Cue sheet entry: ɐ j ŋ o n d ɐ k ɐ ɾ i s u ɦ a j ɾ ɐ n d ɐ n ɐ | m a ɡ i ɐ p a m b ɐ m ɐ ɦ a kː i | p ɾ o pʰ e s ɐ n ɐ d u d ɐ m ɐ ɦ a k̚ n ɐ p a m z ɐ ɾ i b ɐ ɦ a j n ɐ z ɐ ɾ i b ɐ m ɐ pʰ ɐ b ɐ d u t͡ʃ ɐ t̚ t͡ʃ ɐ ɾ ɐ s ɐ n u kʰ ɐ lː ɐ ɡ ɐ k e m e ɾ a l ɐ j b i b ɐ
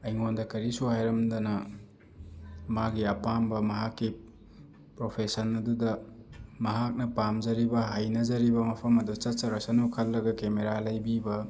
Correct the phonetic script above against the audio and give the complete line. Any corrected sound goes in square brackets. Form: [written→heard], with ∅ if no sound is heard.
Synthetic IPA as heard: ɐ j ŋ o n d ɐ k ɐ ɾ i s u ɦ a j ɾ ɐ [n→m] d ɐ n ɐ | m a ɡ i ɐ p a m b ɐ m ɐ ɦ a kː i | p ɾ o pʰ e s ɐ n ɐ d u d ɐ m ɐ ɦ a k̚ n ɐ p a m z ɐ ɾ i b ɐ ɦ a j n ɐ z ɐ ɾ i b ɐ m ɐ pʰ ɐ [b→m] ɐ d u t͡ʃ ɐ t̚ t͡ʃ ɐ ɾ ɐ s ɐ n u kʰ ɐ lː ɐ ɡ ɐ k e m e ɾ a l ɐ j b i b ɐ